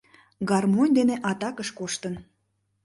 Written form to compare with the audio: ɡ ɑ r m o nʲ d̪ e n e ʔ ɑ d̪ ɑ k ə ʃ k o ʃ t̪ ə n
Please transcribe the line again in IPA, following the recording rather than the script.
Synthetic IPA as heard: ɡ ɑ r m o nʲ d̪ e n e ʔ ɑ t̪ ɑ k ə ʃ k o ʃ t̪ ə n